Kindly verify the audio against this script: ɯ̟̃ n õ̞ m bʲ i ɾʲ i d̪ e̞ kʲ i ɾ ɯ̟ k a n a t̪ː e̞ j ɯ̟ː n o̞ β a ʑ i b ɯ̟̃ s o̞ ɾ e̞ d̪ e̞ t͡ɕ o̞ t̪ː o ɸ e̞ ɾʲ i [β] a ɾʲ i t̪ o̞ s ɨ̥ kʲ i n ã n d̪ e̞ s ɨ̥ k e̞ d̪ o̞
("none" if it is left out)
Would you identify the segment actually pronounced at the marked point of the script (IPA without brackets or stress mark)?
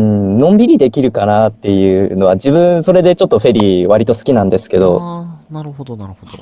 β